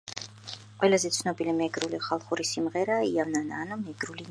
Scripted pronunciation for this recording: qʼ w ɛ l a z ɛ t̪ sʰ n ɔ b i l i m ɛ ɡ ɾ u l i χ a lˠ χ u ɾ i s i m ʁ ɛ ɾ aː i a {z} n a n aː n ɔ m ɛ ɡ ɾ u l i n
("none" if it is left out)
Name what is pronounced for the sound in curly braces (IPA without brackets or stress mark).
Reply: v